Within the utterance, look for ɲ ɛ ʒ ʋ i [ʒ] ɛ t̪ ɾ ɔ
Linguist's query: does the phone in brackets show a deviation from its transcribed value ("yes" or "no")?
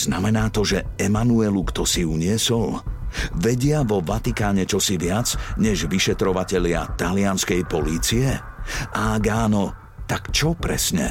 yes